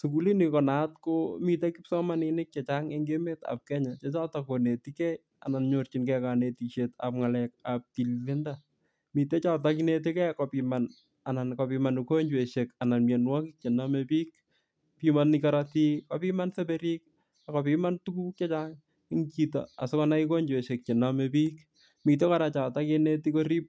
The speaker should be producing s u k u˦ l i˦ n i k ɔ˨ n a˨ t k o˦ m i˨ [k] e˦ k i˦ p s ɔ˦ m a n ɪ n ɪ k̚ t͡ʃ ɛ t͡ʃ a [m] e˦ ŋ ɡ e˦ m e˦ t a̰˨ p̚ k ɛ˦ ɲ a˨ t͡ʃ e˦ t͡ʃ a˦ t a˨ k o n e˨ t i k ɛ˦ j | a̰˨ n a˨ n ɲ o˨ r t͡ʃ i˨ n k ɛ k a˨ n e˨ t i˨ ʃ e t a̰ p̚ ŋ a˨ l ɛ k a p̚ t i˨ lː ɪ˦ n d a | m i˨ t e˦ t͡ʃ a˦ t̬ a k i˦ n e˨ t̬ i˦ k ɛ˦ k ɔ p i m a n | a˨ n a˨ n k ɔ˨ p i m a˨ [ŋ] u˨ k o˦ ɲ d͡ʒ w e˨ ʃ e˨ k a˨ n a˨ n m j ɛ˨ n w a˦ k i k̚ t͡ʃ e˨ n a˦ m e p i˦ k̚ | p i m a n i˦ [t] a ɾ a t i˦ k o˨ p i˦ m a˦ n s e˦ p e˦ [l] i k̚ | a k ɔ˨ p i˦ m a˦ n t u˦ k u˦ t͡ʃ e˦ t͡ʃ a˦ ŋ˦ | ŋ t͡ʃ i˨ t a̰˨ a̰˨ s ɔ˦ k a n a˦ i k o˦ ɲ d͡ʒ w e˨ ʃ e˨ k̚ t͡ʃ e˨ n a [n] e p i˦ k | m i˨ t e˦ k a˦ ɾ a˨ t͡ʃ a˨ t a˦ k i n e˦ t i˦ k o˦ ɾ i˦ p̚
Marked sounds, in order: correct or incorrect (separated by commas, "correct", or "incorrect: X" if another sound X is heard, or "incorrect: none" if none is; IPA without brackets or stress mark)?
incorrect: t, incorrect: ŋ, incorrect: n, incorrect: k, incorrect: ɾ, incorrect: m